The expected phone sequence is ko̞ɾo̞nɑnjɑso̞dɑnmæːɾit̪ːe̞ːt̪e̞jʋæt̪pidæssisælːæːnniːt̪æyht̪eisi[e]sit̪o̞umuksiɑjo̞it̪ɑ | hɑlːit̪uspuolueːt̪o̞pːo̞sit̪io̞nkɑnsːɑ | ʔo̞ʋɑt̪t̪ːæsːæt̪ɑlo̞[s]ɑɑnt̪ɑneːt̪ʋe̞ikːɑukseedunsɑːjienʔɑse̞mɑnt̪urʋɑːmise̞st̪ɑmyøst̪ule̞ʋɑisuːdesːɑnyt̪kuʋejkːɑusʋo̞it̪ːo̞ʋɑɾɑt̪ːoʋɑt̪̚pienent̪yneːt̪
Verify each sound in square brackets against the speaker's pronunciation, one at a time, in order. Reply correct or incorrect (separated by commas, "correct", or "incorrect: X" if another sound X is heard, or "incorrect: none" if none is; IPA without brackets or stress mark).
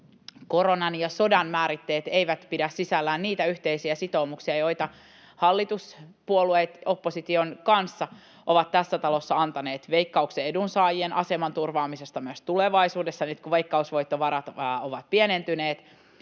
incorrect: æ, incorrect: sː